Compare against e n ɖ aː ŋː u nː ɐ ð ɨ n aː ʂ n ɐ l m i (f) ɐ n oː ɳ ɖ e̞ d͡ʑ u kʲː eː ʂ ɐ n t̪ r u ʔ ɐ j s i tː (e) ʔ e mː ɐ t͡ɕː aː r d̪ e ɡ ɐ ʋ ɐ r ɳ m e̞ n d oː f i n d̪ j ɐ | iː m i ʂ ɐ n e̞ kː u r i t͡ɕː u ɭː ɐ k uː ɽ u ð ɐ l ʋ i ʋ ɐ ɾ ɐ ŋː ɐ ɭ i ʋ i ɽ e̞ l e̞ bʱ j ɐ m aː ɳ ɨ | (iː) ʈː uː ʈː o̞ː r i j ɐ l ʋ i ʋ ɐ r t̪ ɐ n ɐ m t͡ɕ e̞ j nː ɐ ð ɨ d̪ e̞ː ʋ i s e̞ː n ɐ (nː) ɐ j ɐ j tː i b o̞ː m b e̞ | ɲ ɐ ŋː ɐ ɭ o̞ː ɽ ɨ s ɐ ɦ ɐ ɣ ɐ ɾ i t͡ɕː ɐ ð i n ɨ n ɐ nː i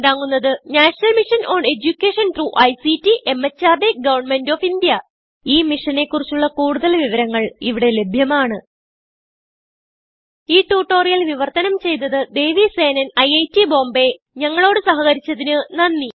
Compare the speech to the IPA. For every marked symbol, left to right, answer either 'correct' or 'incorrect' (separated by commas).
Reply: incorrect, incorrect, correct, incorrect